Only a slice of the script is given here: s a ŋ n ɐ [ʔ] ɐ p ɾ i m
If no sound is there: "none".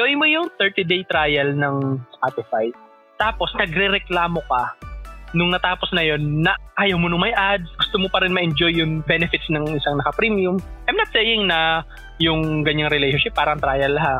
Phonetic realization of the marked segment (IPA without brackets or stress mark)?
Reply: k